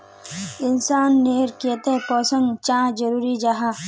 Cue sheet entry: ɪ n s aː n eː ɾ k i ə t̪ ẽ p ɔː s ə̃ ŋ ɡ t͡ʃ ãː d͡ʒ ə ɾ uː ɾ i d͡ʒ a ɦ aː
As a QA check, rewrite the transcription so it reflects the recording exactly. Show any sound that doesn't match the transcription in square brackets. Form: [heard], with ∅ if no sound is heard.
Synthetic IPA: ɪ n s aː [nː] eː ɾ k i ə t̪ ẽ p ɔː s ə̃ ŋ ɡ t͡ʃ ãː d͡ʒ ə ɾ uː ɾ i d͡ʒ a ɦ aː